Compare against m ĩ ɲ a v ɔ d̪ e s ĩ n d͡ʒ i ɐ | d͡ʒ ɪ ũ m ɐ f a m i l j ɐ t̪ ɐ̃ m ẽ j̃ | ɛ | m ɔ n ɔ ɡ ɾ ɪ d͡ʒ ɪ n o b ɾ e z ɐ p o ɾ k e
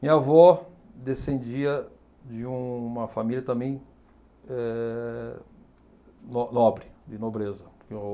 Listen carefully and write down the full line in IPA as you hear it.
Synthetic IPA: m ĩ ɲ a v ɔ d̪ e s ẽ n d͡ʒ i ɐ | d͡ʒ ɪ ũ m ɐ f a m i l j ɐ t̪ ɐ̃ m ẽ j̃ | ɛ | n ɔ n ɔ b ɾ ɪ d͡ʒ ɪ n o b ɾ e z ɐ p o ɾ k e